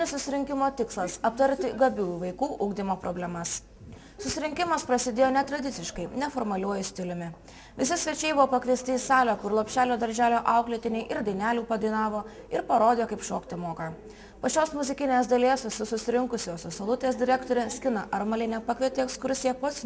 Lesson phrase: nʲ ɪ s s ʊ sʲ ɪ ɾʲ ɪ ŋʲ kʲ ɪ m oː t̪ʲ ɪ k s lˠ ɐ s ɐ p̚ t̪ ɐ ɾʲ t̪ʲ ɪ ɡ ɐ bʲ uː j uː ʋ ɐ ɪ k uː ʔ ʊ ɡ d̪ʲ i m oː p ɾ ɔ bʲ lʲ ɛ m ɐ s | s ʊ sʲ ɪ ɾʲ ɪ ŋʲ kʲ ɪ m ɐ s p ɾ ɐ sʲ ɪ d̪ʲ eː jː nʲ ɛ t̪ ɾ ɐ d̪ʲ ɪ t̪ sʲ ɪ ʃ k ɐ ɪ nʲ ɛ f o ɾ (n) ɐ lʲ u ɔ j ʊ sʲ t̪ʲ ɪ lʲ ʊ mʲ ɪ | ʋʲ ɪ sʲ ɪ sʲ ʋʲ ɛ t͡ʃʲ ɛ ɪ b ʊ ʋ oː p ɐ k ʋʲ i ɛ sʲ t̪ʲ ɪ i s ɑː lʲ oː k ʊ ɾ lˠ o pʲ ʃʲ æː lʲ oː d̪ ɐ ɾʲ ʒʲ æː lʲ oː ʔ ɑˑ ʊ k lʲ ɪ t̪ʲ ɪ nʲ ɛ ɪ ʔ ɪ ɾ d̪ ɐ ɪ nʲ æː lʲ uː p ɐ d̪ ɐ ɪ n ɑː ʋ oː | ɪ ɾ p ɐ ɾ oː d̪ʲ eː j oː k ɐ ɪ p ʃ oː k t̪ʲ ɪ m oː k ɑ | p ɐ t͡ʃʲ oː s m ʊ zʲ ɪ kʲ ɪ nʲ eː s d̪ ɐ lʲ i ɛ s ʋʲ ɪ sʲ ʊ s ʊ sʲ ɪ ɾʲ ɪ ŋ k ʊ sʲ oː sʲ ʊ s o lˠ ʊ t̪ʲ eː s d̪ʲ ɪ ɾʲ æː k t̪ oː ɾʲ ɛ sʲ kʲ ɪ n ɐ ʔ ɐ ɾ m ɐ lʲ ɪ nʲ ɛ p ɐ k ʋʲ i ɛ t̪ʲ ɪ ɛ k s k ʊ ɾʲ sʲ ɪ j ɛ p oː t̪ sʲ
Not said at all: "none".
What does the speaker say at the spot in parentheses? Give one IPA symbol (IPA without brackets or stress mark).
m